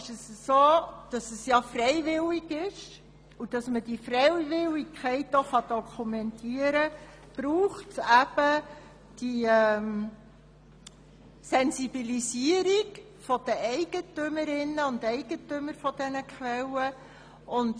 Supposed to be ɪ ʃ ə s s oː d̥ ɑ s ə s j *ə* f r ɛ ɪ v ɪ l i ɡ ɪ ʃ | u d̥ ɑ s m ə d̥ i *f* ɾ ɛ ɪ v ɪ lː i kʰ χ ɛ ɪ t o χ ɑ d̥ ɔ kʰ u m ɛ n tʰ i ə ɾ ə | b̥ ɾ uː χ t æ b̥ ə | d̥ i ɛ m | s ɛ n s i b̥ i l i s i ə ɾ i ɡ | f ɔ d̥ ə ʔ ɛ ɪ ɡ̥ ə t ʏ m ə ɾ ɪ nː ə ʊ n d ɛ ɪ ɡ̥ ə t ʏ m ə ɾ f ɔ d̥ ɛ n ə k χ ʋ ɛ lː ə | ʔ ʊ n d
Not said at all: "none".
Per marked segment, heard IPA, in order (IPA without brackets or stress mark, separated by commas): ɑ, f